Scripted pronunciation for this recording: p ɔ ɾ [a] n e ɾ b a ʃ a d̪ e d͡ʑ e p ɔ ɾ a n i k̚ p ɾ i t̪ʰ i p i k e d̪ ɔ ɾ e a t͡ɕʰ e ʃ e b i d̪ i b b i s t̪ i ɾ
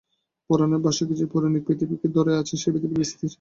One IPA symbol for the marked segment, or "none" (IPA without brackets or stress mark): a